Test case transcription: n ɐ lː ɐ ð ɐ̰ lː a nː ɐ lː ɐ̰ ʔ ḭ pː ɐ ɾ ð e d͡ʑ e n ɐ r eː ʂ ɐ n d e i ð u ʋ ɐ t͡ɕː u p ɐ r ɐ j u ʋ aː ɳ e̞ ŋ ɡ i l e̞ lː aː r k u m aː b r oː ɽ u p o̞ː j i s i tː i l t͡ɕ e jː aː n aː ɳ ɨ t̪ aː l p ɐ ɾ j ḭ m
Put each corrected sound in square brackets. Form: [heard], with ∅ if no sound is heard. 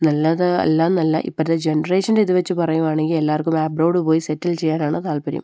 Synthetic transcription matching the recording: n ɐ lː ɐ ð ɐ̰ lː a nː ɐ lː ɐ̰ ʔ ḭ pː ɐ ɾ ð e d͡ʑ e n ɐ r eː ʂ ɐ n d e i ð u ʋ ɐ t͡ɕː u p ɐ r ɐ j u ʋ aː ɳ e̞ ŋ ɡ i l e̞ lː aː r k u m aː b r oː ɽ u p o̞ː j i s [e] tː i l t͡ɕ e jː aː n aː ɳ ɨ t̪ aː l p ɐ ɾ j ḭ m